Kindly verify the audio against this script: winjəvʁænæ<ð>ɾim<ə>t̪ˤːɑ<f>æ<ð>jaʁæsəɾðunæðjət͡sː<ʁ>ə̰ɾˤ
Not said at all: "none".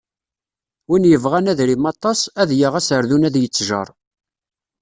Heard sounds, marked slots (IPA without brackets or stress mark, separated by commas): ð, ɑ, s, ð, ʒ